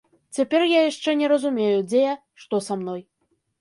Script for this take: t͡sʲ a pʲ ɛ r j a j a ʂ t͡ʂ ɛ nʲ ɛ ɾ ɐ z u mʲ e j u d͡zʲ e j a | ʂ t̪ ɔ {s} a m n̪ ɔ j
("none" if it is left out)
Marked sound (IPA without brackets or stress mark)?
s